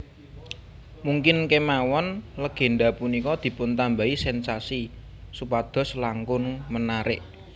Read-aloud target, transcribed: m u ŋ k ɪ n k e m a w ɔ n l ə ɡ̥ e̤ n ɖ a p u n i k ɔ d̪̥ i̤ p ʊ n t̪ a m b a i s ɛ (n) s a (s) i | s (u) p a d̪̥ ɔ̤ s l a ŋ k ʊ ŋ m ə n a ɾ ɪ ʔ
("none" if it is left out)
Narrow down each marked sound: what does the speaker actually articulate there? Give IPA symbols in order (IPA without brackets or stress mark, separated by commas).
n, s, u